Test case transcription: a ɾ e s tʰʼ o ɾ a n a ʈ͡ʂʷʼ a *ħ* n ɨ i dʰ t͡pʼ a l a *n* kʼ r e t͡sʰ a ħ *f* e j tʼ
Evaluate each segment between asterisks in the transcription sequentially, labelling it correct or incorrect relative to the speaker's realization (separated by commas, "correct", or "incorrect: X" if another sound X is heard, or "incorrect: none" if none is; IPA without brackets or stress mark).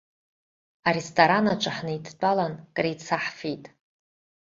correct, correct, correct